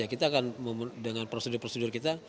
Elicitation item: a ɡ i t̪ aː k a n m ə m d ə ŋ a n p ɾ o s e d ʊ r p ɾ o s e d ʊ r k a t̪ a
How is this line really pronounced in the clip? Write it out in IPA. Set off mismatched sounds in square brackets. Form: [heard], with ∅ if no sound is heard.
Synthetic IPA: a [k] i t̪ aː k a n m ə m d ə ŋ a n p ɾ o s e d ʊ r p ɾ o s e d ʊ r k [i] t̪ a